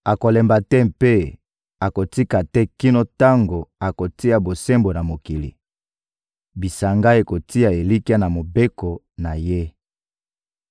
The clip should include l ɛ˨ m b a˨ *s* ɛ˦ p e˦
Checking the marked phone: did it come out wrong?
yes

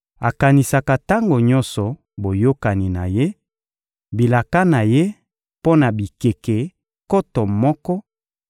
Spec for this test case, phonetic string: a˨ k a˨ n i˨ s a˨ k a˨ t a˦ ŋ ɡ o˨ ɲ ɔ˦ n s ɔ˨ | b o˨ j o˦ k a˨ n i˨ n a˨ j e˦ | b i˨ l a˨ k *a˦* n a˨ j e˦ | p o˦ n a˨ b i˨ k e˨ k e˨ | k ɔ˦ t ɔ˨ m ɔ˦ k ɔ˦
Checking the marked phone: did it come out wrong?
no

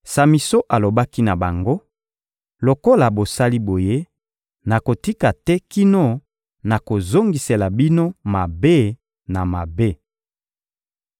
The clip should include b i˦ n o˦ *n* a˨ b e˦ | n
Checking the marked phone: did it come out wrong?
yes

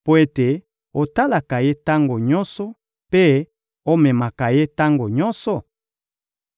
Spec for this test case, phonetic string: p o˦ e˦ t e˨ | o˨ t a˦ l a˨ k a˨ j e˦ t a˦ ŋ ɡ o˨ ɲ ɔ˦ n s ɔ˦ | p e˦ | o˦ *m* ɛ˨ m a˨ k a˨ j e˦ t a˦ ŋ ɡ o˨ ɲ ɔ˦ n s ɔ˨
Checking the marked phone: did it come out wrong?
no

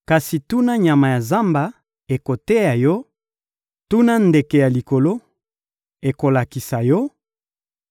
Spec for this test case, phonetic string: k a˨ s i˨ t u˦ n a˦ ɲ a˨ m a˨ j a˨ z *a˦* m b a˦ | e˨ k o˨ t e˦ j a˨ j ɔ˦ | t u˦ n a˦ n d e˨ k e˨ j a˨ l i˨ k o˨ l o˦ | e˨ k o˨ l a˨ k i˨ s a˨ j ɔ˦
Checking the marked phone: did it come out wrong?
no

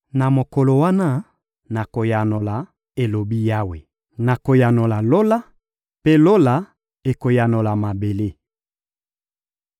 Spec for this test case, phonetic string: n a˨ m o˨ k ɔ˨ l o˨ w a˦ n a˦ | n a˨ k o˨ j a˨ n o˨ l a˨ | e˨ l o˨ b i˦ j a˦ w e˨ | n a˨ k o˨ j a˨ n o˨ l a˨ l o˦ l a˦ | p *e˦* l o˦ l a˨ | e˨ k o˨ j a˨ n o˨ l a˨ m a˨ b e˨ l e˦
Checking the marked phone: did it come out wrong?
no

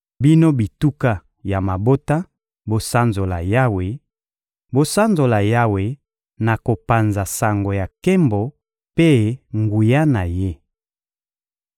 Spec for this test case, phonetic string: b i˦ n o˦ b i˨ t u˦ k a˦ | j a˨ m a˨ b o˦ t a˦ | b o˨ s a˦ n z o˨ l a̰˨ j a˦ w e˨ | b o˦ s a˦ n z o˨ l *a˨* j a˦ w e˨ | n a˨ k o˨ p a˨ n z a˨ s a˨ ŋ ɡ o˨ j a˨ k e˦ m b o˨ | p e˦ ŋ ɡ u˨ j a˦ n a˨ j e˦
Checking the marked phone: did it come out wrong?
no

